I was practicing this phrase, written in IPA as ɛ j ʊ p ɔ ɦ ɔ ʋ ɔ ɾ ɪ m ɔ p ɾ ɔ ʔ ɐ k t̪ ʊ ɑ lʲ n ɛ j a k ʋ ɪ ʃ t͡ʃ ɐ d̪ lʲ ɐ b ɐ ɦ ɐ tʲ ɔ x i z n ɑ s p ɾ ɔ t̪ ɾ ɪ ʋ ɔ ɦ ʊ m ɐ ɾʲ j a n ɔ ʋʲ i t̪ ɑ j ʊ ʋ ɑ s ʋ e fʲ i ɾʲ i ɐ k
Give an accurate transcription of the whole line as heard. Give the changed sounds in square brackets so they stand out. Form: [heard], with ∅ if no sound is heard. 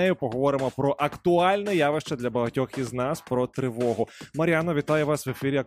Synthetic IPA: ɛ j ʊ p ɔ ɦ ɔ ʋ ɔ ɾ ɪ m ɔ p ɾ ɔ ʔ ɐ k t̪ ʊ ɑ lʲ n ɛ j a [∅] ʋ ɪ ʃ t͡ʃ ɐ d̪ lʲ ɐ b ɐ ɦ ɐ tʲ ɔ x i z n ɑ s p ɾ ɔ t̪ ɾ ɪ ʋ ɔ ɦ ʊ m ɐ ɾʲ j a n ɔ ʋʲ i t̪ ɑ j ʊ ʋ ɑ s ʋ e fʲ i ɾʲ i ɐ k